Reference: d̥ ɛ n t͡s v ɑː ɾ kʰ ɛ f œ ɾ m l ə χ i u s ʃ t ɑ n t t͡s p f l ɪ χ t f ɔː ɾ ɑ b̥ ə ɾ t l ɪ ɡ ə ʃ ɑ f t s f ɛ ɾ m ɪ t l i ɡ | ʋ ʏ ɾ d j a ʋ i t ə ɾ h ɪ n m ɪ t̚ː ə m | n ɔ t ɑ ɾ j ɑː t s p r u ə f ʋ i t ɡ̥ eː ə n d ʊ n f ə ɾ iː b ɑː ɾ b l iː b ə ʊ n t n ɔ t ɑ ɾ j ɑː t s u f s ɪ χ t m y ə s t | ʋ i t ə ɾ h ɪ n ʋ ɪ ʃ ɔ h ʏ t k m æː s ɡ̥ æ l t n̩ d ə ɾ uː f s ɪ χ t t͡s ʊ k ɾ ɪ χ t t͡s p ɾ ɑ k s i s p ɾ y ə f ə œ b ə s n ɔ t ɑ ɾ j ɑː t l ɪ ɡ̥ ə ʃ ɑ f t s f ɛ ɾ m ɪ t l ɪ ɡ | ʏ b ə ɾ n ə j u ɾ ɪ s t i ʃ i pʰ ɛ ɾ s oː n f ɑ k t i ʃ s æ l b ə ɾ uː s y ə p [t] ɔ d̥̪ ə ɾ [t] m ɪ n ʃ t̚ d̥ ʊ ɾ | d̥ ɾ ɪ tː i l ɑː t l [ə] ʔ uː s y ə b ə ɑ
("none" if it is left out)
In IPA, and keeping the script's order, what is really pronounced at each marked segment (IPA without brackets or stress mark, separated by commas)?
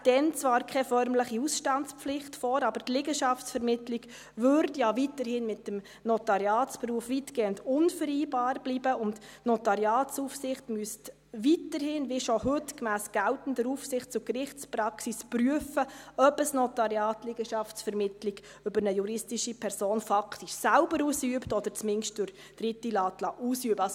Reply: t, t͡s, ɑ